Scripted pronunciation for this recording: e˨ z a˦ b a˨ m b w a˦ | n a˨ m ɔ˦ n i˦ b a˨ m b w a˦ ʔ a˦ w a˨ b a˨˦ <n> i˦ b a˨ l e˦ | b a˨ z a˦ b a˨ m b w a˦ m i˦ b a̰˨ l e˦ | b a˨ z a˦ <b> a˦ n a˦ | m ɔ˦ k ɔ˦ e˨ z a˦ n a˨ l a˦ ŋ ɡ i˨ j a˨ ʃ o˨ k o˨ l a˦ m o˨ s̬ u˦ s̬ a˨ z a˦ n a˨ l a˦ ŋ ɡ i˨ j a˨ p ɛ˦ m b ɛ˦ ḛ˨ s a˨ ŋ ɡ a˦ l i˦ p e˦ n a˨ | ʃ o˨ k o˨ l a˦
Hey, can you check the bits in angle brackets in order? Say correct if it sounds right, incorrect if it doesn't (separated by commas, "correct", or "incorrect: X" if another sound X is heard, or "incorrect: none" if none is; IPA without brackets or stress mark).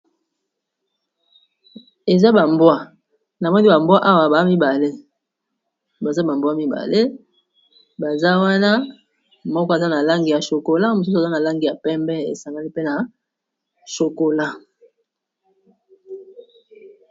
incorrect: m, incorrect: w